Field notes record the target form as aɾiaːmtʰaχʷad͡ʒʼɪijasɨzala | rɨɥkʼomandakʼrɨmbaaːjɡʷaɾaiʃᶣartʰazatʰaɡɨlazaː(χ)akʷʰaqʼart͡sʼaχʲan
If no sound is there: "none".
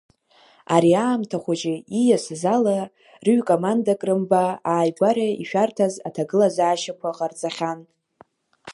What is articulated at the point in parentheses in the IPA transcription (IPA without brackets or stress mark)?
ʃ